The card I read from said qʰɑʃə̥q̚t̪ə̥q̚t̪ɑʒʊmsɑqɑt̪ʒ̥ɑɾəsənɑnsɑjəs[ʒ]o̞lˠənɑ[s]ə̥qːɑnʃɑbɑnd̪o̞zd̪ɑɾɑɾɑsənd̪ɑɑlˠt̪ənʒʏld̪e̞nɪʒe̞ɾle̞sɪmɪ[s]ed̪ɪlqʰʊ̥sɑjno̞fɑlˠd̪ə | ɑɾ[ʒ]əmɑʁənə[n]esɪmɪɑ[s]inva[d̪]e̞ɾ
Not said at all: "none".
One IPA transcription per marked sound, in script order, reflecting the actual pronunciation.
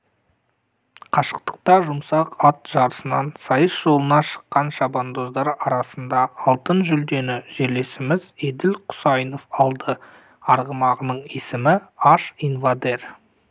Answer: ʒ, ʃ, z, ʁ, ɴ, ʃ, d̪

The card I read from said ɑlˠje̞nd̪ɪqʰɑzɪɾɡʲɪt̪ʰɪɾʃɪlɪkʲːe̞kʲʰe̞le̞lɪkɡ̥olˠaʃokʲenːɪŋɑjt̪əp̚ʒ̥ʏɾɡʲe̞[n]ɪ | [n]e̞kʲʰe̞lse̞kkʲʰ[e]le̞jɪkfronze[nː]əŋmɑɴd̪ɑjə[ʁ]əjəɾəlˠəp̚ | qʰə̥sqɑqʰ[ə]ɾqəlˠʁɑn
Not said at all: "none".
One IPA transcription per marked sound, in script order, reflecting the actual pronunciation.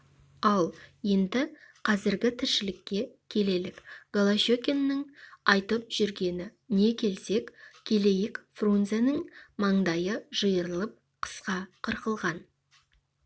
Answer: n, n, e, n, ʒ, ə

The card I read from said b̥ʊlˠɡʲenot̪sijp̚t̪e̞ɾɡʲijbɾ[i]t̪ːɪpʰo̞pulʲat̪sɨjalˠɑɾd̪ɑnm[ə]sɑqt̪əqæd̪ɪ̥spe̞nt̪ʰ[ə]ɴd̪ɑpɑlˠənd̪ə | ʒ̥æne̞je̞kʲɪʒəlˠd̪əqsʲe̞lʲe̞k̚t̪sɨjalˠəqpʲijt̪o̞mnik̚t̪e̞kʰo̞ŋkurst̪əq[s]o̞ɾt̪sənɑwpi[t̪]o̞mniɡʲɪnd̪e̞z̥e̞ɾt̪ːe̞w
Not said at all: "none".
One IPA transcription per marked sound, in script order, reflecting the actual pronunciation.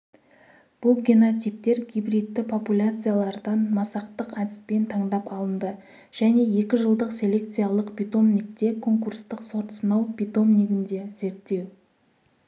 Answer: i, ɑ, ɑ, s, t̪

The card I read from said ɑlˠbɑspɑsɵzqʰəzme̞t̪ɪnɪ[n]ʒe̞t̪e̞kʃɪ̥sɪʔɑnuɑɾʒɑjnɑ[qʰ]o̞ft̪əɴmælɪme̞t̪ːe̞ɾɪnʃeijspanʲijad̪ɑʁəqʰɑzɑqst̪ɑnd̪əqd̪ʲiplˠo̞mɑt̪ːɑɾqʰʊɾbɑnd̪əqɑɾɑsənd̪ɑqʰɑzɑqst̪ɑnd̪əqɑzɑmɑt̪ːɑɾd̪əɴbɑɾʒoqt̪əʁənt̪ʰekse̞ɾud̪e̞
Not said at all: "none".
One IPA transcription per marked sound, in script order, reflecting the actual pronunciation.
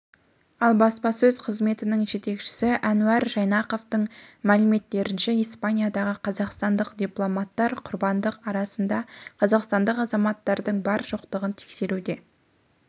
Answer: ŋ, q

